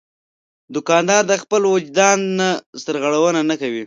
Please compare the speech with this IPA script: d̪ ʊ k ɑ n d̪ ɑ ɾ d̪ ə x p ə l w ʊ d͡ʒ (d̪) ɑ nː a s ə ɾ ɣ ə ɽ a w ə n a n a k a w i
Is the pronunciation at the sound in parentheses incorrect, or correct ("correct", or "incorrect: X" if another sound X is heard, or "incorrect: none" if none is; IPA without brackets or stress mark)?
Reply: correct